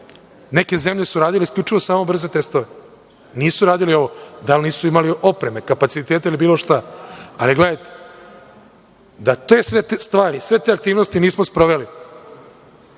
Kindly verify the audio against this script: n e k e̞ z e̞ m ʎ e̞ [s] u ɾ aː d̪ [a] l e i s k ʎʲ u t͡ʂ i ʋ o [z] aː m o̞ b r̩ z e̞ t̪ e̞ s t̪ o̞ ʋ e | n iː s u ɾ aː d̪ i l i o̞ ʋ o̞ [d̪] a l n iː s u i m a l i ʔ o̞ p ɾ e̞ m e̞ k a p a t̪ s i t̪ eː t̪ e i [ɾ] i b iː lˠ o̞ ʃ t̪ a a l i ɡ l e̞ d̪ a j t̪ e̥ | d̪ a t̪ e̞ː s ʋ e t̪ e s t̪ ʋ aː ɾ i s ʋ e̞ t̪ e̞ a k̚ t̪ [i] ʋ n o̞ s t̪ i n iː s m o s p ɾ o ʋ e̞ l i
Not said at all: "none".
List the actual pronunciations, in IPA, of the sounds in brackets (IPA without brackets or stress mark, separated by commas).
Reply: s, i, s, d̪, l, iː